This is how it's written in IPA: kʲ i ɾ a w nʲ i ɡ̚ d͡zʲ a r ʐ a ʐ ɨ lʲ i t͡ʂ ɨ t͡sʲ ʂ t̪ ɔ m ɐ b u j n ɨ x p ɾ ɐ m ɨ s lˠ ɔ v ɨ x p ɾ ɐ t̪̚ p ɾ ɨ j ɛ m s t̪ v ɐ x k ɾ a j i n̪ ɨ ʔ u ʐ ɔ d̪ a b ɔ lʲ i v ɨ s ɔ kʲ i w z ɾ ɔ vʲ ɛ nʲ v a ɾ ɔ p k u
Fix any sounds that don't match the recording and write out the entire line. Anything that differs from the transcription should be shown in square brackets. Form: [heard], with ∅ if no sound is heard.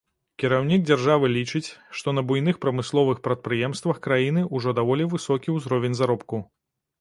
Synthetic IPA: kʲ i ɾ a w nʲ i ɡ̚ d͡zʲ a r ʐ a [v] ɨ lʲ i t͡ʂ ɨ t͡sʲ ʂ t̪ ɔ [n] ɐ b u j n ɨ x p ɾ ɐ m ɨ s lˠ ɔ v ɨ x p ɾ ɐ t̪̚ p ɾ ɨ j ɛ m s t̪ v ɐ x k ɾ a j i n̪ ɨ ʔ u ʐ ɔ d̪ a [v] ɔ lʲ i v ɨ s ɔ kʲ i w z ɾ ɔ vʲ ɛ nʲ [z] a ɾ ɔ p k u

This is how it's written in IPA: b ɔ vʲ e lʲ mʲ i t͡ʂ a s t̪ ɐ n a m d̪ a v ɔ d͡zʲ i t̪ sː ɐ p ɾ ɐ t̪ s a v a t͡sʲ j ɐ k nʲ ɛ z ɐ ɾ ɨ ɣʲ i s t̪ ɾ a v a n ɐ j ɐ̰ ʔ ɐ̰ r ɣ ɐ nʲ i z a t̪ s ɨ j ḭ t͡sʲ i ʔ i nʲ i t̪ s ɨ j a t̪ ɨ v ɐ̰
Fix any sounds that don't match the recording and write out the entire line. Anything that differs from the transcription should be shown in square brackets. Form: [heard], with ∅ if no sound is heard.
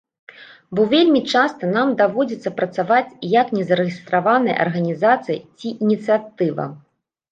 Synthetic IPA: b ɔ vʲ e lʲ mʲ i t͡ʂ a s t̪ ɐ n a m d̪ a v ɔ d͡zʲ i t̪ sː ɐ p ɾ ɐ t̪ s a v a t͡sʲ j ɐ k nʲ ɛ z ɐ ɾ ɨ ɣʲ i s t̪ ɾ a v a n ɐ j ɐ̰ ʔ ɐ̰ r ɣ ɐ nʲ i z a t̪ s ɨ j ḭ t͡sʲ i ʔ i nʲ i t̪ s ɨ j a t̪ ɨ v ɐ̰

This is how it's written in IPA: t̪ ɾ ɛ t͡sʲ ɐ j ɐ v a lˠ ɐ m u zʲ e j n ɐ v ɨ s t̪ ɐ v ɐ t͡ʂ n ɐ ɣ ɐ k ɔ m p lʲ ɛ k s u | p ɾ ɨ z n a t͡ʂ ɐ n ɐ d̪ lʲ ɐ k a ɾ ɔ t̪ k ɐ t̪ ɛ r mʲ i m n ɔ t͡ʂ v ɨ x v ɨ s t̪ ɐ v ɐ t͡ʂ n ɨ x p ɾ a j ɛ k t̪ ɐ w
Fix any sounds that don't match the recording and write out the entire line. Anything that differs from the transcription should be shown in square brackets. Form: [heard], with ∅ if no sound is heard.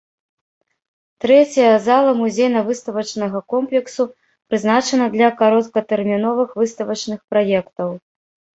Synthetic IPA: t̪ ɾ ɛ t͡sʲ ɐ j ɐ [z] a lˠ ɐ m u zʲ e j n ɐ v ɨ s t̪ ɐ v ɐ t͡ʂ n ɐ ɣ ɐ k ɔ m p lʲ ɛ k s u | p ɾ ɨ z n a t͡ʂ ɐ n ɐ d̪ lʲ ɐ k a ɾ ɔ t̪ k ɐ t̪ ɛ r mʲ i [∅] n ɔ [∅] v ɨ x v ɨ s t̪ ɐ v ɐ t͡ʂ n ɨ x p ɾ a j ɛ k t̪ ɐ w

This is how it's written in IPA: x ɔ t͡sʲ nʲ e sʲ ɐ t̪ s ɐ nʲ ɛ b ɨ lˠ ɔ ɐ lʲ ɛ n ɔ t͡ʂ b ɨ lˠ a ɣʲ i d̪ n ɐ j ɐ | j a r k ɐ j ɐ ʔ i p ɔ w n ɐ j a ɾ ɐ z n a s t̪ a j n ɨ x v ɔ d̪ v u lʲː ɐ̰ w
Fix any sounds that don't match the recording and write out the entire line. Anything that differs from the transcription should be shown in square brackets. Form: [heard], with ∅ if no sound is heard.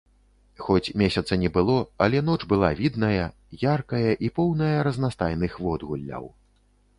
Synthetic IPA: x ɔ t͡sʲ [mʲ] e sʲ ɐ t̪ s ɐ nʲ ɛ b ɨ lˠ ɔ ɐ lʲ ɛ n ɔ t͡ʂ b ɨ lˠ a [vʲ] i d̪ n ɐ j ɐ | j a r k ɐ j ɐ ʔ i p ɔ w n ɐ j [ɐ] ɾ ɐ z n a s t̪ a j n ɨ x v ɔ d̪ [ɣ] u lʲː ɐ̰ w

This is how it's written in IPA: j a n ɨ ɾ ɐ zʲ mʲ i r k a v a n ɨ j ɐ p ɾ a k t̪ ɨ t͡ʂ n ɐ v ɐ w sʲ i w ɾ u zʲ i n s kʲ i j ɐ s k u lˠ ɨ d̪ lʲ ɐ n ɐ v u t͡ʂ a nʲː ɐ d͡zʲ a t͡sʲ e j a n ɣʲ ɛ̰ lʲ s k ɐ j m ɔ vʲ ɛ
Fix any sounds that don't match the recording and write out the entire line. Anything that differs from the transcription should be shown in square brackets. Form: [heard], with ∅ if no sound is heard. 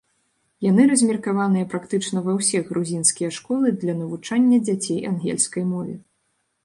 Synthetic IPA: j a n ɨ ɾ ɐ zʲ mʲ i r k a v a n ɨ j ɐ p ɾ a k t̪ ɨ t͡ʂ n ɐ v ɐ w sʲ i [ɣ] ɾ u zʲ i n s kʲ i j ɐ [ʂ] k [ɔ] lˠ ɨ d̪ lʲ ɐ n ɐ v u t͡ʂ a nʲː ɐ d͡zʲ a t͡sʲ e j a n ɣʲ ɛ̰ lʲ s k ɐ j m ɔ vʲ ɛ

